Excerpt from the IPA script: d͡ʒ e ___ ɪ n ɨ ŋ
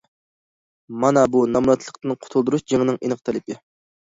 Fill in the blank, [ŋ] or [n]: ŋ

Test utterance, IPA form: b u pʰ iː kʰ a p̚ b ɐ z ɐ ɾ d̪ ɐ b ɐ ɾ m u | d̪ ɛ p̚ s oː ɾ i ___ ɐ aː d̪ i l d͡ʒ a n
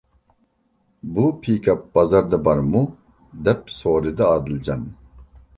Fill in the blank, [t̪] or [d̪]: d̪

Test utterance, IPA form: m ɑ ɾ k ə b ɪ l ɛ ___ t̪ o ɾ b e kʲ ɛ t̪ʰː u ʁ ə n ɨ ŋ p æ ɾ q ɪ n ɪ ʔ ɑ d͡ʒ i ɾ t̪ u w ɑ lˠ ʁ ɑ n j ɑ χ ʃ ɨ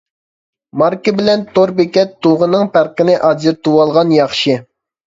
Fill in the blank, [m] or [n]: n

